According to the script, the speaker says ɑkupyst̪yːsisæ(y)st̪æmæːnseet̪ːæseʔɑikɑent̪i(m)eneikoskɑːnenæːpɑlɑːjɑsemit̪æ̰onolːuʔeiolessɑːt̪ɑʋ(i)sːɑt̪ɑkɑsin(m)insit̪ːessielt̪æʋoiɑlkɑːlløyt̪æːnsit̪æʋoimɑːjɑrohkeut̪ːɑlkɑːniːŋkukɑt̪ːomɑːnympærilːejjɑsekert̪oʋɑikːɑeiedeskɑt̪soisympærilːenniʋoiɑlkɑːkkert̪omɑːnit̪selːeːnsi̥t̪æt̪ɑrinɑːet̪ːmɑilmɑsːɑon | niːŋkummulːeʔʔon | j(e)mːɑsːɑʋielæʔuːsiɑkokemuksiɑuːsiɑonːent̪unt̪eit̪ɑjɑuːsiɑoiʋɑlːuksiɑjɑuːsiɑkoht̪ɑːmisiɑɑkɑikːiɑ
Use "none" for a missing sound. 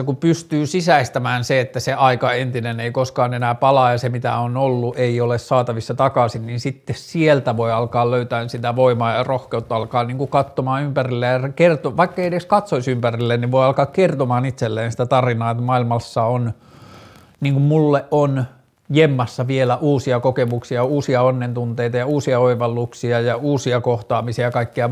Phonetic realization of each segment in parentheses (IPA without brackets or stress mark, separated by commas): i, n, i, n, e